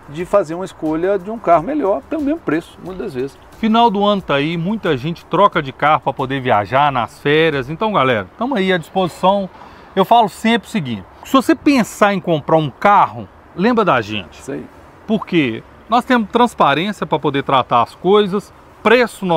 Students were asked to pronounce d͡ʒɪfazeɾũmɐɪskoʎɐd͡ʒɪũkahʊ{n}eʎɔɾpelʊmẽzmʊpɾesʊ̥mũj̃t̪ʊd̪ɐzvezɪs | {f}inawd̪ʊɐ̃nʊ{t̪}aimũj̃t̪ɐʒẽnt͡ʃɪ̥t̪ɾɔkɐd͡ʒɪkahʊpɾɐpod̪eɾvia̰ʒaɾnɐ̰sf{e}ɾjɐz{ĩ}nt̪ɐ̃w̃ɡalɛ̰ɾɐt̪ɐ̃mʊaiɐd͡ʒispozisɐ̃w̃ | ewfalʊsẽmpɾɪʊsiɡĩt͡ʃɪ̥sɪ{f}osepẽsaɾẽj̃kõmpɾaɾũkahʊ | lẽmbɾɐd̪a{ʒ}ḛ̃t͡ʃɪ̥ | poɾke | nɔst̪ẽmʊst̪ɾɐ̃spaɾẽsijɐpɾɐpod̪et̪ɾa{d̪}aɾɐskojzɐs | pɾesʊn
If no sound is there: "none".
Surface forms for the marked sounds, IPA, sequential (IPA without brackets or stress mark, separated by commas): m, f, t̪, ɛ, ẽ, v, ʒ, t̪